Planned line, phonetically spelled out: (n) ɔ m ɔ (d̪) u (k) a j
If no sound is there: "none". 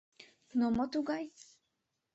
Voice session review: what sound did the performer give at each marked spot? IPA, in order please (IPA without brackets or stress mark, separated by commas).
n, t̪, ɡ